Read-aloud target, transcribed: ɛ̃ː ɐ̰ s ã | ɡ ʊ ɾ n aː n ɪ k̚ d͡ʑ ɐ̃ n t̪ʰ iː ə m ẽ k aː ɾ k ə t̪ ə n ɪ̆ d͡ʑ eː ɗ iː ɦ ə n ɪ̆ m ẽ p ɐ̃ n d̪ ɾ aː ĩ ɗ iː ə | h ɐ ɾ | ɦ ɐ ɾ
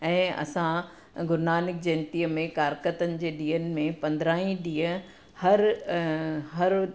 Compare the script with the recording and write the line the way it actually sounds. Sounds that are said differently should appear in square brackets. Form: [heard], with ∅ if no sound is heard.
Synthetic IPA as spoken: ɛ̃ː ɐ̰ s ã | ɡ ʊ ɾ n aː n ɪ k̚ d͡ʑ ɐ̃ n [t̪] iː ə m ẽ k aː ɾ k ə t̪ ə n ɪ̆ d͡ʑ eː ɗ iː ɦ ə n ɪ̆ m ẽ p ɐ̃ n d̪ ɾ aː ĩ ɗ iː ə | h ɐ ɾ | ɦ ɐ ɾ